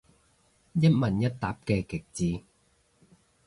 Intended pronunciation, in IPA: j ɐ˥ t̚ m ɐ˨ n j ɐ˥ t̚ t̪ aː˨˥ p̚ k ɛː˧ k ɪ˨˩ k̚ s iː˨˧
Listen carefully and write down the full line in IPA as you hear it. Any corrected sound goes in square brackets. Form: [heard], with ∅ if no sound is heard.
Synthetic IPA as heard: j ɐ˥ t̚ m ɐ˨ n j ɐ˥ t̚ t̪ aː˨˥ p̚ k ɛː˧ k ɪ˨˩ k̚ [t͡s] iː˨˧